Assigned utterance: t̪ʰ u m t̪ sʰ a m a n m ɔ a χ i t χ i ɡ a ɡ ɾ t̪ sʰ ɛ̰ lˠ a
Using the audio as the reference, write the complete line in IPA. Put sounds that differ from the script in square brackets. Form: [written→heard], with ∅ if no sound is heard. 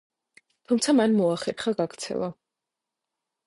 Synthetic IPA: t̪ʰ u m t̪ sʰ a m a n m ɔ a χ [i→ɛ] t χ [i→a] ɡ a ɡ ɾ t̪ sʰ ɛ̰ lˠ a